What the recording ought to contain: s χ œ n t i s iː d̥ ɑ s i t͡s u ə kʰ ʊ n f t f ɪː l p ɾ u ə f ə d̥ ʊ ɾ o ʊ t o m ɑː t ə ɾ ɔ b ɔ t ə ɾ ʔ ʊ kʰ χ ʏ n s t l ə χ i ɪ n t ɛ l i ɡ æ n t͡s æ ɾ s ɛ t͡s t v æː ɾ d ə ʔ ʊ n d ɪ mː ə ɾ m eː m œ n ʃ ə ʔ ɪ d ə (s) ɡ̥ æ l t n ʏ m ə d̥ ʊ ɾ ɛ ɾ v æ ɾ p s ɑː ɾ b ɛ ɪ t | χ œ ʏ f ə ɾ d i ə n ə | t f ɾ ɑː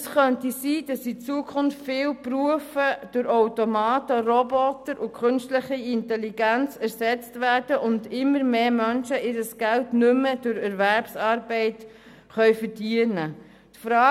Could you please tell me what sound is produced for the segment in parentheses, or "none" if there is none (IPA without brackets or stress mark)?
s